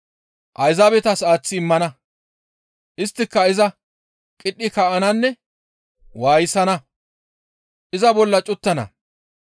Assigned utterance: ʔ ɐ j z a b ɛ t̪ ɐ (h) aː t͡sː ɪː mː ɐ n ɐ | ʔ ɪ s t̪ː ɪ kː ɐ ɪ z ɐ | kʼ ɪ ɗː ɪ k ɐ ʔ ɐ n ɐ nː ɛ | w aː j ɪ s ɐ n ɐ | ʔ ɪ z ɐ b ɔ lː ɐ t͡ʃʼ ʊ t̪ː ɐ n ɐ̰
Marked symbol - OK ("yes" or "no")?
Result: no